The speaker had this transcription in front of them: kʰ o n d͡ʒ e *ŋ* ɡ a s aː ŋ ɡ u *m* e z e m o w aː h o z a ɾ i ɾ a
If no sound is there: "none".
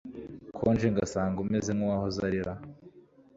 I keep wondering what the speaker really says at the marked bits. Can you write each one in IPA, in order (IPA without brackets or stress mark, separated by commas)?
ŋ, m